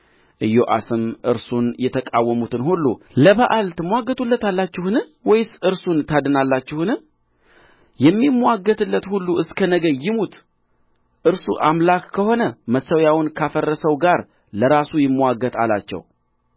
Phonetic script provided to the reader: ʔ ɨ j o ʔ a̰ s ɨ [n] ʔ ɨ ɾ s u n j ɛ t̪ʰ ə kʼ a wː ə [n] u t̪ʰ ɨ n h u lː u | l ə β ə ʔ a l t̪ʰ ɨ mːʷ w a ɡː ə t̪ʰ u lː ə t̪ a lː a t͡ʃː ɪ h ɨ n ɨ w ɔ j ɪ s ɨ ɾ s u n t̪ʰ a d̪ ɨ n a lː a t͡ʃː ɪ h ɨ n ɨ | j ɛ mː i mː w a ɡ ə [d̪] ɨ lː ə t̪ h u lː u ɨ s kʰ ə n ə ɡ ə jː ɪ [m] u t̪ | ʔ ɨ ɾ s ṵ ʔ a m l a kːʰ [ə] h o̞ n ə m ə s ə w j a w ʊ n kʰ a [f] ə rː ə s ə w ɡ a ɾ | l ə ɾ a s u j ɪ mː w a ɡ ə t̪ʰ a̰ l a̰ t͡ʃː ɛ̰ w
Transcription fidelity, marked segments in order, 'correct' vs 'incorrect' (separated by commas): incorrect, incorrect, incorrect, correct, correct, correct